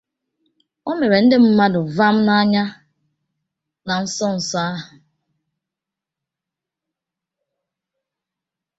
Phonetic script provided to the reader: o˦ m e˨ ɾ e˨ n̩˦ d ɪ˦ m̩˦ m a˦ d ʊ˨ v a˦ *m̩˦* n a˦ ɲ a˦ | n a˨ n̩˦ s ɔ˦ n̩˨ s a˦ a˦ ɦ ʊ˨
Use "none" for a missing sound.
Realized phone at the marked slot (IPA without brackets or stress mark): m̩˦